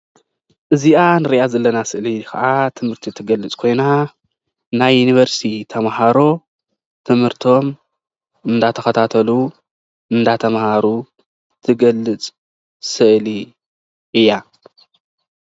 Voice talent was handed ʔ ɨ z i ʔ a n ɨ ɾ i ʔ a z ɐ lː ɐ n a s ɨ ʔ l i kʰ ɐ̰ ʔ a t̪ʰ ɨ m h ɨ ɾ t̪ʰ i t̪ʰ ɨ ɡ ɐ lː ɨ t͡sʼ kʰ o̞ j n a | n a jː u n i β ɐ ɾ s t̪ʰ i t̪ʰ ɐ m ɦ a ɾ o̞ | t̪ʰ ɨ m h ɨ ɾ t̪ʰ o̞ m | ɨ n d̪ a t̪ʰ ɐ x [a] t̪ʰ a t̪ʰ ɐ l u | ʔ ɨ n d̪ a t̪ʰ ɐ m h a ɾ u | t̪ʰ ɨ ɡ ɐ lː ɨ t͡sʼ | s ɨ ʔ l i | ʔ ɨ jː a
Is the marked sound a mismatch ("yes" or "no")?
yes